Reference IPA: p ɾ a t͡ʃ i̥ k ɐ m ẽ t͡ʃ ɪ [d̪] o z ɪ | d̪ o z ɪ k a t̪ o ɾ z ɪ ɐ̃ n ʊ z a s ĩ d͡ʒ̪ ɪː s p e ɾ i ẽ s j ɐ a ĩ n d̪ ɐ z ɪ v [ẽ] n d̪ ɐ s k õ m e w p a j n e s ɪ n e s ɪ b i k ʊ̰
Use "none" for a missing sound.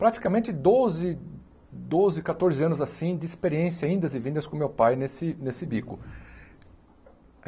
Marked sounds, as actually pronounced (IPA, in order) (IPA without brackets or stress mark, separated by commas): d̪, ĩ